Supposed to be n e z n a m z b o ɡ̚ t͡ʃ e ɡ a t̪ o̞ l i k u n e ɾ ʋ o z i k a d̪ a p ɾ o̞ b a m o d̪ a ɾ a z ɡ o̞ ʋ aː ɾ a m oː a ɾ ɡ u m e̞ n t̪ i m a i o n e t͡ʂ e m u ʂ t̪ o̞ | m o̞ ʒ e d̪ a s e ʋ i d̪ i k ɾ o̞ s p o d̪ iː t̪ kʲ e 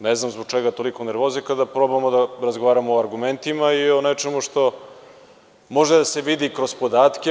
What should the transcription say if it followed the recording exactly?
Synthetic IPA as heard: n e z n a m z b o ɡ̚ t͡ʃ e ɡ a t̪ o̞ l i k o n e ɾ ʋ o z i k a d̪ a p ɾ o̞ b a m o d̪ a ɾ a z ɡ o̞ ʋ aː ɾ a m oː a ɾ ɡ u m e̞ n t̪ i m a i o n e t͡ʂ e m u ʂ t̪ o̞ | m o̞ ʒ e d̪ a s e ʋ i d̪ i k ɾ o̞ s p o d̪ aː t̪ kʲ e